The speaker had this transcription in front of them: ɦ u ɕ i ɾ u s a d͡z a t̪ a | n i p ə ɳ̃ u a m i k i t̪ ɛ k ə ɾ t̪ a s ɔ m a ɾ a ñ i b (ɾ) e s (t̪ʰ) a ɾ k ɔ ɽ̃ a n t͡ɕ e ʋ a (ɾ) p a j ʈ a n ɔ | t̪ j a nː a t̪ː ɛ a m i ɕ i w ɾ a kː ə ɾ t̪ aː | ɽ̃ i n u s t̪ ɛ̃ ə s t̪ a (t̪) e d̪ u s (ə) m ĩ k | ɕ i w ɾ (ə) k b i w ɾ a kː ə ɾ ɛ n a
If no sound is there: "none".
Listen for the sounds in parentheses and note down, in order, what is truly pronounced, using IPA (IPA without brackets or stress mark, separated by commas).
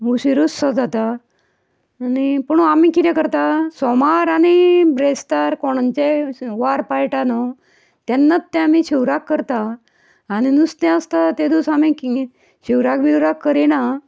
ɾ, t̪, ɾ, t̪, a, a